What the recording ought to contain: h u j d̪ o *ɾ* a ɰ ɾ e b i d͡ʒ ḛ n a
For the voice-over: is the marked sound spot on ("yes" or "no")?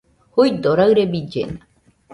yes